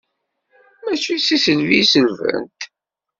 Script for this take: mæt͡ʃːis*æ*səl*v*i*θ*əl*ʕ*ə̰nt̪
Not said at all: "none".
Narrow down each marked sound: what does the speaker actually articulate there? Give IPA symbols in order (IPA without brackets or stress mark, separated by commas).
i, v, s, v